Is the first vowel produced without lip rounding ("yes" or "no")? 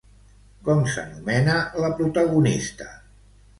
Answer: no